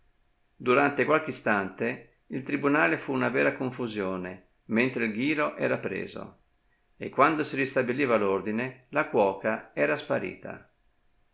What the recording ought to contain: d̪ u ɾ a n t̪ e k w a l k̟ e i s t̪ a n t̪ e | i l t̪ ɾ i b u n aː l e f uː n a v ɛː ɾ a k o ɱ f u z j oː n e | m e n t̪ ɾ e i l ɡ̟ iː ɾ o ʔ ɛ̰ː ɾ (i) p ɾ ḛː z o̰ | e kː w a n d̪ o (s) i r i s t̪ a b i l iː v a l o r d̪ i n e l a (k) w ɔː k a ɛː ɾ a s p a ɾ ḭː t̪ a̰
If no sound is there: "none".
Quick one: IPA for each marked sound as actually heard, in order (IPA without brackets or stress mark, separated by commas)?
a, s, k